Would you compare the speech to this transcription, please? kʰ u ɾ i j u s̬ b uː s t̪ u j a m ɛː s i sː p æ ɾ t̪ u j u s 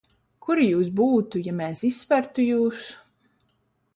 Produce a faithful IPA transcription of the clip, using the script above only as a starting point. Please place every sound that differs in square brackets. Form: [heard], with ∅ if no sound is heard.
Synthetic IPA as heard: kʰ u ɾ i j [uː] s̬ b uː [∅] t̪ u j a m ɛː s i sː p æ ɾ t̪ u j [uː] s